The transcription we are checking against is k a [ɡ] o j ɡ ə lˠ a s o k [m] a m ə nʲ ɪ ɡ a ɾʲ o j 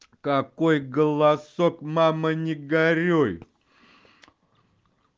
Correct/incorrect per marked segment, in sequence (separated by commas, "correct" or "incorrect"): incorrect, correct